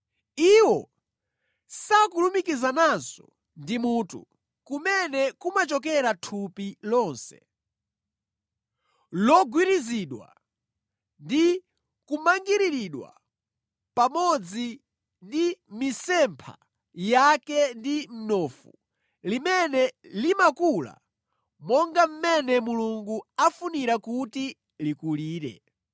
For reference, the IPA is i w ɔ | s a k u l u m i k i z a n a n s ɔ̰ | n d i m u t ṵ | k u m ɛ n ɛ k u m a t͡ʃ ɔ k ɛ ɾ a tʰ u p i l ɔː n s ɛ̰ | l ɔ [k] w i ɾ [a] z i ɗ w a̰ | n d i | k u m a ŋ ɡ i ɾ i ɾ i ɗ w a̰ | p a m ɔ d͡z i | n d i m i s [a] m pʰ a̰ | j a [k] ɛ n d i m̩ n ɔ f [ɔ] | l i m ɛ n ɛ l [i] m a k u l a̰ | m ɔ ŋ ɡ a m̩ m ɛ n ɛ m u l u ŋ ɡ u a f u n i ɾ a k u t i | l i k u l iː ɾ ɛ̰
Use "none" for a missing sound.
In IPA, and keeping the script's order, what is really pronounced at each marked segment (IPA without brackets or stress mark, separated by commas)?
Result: ɡ, i, ɛ, k, u, i